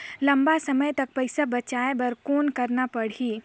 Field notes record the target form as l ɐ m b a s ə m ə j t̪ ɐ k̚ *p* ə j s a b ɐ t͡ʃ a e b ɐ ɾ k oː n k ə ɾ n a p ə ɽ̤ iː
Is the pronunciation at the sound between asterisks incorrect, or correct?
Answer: correct